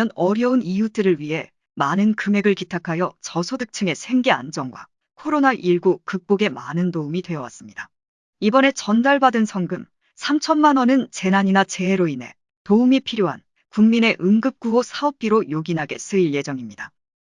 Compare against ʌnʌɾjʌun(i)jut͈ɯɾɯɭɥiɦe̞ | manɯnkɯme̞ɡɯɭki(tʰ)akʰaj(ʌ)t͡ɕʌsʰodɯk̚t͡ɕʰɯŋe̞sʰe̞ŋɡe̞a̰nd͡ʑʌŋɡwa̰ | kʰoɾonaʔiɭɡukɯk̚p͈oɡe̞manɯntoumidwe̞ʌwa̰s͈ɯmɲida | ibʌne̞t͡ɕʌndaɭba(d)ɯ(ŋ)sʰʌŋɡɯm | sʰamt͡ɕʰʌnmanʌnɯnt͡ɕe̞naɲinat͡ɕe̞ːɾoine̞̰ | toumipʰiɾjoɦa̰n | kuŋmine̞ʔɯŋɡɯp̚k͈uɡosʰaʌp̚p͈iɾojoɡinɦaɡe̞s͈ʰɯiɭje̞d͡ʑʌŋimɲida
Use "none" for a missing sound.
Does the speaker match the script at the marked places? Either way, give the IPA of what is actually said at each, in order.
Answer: i, tʰ, ʌ, d, n

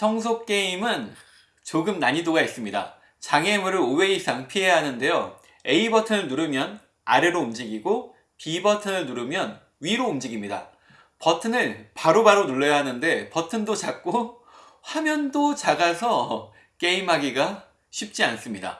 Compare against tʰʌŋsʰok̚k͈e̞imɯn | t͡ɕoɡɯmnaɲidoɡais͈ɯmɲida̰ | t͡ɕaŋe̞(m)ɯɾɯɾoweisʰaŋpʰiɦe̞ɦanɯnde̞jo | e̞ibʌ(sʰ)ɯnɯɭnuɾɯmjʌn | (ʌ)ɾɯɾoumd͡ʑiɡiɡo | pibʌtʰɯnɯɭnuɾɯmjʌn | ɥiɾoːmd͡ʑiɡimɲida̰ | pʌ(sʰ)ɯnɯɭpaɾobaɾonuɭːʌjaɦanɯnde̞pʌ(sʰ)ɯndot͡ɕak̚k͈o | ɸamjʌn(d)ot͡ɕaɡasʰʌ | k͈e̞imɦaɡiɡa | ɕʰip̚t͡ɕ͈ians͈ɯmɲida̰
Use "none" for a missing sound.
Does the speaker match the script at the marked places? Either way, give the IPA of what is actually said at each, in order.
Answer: m, tʰ, a, tʰ, tʰ, d

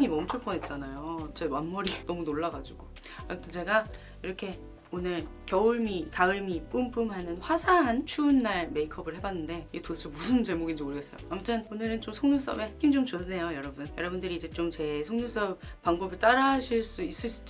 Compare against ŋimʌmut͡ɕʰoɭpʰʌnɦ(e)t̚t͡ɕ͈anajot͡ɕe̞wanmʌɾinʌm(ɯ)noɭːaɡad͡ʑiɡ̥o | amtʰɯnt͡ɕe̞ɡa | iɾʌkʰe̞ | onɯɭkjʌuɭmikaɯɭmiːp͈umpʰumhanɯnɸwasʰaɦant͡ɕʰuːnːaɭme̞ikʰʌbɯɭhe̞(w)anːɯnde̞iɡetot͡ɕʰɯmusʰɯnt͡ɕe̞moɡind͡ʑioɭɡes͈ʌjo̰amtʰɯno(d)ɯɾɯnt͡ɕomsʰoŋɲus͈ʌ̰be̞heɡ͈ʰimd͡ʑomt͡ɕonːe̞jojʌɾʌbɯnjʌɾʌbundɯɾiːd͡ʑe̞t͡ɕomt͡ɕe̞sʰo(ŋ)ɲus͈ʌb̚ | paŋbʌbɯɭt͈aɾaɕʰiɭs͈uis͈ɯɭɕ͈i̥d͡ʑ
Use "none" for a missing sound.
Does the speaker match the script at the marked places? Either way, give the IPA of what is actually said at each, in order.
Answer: e, u, b, n, ŋ

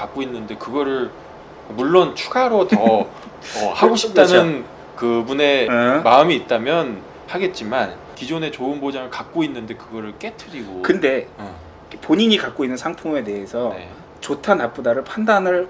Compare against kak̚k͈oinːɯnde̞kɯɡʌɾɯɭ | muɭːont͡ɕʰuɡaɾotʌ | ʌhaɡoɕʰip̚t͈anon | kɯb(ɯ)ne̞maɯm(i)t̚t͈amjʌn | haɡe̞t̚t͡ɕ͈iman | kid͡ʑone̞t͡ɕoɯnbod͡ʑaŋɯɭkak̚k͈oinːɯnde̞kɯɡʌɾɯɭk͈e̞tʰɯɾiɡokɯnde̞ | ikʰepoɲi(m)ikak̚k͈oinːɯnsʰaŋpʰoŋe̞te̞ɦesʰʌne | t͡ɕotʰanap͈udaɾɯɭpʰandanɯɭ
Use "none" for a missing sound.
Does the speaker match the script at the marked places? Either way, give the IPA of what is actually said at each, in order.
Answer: u, iː, ɲ

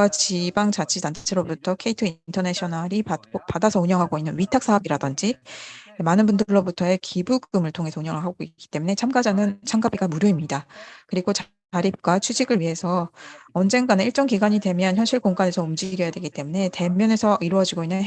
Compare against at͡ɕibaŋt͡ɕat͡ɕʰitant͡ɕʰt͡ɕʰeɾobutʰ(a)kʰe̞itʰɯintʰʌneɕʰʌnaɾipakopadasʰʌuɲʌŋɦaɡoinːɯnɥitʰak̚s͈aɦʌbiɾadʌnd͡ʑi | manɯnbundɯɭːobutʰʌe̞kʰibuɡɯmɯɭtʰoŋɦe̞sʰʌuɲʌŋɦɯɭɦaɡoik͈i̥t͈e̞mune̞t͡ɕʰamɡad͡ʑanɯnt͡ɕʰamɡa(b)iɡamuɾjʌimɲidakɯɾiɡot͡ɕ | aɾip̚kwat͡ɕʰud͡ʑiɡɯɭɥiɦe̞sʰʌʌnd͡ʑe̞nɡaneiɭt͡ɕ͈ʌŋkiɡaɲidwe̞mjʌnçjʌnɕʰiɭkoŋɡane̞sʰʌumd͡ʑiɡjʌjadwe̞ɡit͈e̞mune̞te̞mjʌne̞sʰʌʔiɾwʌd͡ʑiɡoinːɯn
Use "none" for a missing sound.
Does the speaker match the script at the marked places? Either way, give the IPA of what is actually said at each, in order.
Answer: ʌ, b

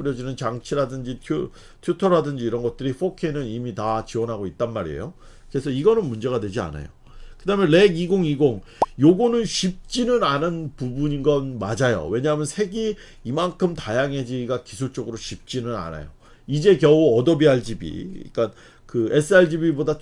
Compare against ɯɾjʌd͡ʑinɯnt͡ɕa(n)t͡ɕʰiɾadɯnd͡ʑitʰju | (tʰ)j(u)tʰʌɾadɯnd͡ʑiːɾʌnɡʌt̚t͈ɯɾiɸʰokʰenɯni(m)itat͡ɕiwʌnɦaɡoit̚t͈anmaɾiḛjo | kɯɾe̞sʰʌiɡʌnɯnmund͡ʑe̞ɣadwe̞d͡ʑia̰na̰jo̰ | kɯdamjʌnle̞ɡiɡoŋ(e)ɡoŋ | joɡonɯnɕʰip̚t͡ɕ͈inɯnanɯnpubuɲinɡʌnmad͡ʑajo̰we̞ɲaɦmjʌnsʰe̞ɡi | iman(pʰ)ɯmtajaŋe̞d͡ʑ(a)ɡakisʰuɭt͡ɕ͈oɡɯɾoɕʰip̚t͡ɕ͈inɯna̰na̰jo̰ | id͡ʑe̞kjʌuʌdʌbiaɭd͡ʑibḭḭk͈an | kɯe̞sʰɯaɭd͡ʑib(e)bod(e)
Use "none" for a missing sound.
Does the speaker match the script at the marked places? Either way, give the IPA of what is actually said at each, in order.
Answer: ŋ, tʰ, u, m, i, kʰ, i, i, a

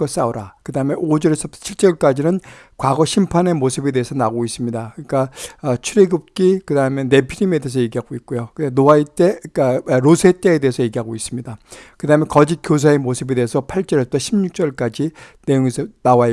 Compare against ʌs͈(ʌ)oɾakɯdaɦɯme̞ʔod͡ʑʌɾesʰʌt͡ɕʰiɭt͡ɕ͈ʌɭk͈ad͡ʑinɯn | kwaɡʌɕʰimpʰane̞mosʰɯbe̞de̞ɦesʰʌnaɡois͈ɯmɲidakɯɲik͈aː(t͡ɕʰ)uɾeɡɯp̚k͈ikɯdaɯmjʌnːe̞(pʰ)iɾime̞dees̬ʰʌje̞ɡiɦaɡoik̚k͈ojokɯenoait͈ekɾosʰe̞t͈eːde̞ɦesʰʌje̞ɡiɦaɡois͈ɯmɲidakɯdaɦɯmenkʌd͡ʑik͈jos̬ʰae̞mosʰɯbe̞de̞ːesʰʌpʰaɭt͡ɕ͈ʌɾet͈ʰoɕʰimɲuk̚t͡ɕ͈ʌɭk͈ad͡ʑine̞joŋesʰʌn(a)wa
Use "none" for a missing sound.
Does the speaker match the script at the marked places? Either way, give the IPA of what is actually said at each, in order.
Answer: a, t͡ɕʰ, pʰ, a

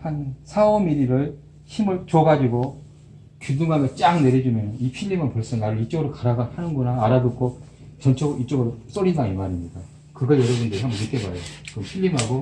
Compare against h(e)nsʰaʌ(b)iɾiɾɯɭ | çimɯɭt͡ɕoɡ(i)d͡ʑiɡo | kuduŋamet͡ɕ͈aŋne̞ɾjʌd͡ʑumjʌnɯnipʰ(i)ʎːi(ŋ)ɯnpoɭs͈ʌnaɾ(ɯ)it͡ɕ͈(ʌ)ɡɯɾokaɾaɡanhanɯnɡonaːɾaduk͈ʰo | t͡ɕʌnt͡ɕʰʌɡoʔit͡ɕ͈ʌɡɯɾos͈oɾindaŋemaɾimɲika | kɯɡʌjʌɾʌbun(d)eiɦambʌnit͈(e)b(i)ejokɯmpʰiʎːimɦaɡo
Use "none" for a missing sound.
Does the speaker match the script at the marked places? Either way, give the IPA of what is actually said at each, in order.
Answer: a, m, a, i, m, ɯ, ʌ, d, e, a

